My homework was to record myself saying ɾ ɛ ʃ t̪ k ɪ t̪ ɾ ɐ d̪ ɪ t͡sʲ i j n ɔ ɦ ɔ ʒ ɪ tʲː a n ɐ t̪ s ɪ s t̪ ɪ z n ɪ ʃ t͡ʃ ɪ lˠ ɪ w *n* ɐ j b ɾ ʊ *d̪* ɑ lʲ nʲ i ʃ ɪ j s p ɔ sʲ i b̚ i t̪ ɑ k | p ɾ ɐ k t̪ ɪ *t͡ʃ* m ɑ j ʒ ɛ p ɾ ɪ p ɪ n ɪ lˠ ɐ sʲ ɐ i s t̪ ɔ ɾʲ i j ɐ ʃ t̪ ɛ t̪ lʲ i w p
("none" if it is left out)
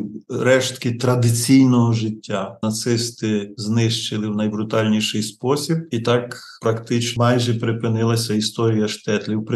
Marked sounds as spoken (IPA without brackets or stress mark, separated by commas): n, t̪, t͡ʃ